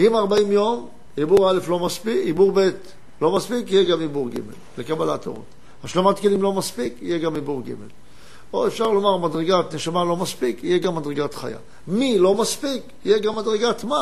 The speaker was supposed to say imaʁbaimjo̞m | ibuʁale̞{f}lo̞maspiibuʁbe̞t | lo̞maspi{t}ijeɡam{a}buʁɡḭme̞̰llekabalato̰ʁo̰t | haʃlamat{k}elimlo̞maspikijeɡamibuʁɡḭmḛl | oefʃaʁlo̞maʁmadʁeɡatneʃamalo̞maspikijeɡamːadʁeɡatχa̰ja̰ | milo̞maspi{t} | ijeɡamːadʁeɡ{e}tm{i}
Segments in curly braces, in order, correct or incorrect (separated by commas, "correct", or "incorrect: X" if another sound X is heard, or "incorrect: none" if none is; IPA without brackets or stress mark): correct, incorrect: k, incorrect: i, correct, incorrect: k, incorrect: a, incorrect: a